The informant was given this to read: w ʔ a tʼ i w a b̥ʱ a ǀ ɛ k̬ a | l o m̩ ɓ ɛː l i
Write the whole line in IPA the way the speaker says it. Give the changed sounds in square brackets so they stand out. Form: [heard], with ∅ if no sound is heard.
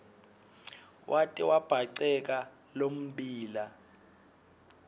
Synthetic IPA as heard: w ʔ a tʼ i w a b̥ʱ a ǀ ɛ k̬ a | l o m̩ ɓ [iː] l [a]